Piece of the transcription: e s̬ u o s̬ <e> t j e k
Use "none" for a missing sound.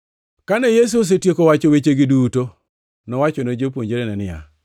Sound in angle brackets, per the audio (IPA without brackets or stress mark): e